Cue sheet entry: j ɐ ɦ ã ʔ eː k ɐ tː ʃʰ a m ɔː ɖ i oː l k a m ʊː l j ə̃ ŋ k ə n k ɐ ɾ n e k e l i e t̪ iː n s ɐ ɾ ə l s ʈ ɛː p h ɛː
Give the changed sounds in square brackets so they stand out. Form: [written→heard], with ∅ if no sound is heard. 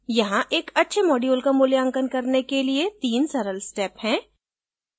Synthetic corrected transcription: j ɐ ɦ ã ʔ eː k ɐ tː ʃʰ [a→e] m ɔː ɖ i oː l k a m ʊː l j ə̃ ŋ k ə n k ɐ ɾ n e k e l i e t̪ iː n s ɐ ɾ ə l s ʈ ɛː p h [ɛː→ɛ̃ː]